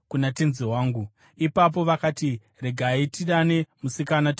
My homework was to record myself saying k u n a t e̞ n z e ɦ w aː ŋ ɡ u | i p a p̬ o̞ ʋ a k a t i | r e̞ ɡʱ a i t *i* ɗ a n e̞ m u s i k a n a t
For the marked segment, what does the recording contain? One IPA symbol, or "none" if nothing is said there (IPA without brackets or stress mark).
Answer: i